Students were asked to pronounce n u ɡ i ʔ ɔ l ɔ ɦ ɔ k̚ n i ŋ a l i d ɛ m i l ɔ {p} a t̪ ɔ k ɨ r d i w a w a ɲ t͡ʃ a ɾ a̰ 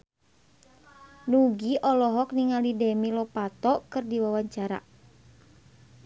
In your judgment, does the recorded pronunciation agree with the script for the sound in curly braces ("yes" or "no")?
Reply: yes